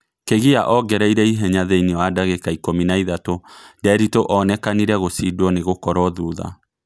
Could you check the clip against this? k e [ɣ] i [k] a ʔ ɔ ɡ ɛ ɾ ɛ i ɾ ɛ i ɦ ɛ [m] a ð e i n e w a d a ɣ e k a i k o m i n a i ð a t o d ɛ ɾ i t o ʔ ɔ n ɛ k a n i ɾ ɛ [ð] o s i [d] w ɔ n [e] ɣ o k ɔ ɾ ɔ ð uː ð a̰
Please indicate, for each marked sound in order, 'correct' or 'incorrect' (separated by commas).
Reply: correct, incorrect, incorrect, incorrect, correct, correct